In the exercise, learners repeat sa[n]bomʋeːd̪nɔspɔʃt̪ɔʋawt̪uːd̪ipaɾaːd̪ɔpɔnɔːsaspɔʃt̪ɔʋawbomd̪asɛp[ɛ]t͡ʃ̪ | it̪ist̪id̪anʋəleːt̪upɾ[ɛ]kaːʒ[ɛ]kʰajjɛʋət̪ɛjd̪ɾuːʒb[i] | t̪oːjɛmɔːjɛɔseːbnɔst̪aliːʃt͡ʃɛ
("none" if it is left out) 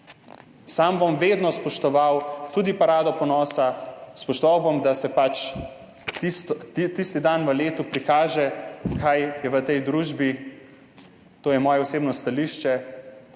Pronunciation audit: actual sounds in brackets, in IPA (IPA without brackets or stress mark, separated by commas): m, a, i, ɛ, i